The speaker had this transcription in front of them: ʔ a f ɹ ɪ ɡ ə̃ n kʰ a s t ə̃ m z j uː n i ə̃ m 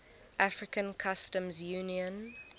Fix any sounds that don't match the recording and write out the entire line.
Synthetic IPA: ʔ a f ɹ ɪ k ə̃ n kʰ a s t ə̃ m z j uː n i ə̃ n